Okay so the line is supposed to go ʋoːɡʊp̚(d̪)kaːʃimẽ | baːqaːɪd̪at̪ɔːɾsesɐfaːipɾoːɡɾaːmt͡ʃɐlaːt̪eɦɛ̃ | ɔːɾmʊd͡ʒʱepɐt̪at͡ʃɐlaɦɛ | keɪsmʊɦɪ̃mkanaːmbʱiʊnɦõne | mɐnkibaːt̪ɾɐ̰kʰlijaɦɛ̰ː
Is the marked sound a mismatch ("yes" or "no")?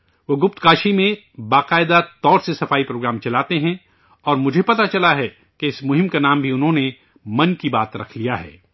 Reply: yes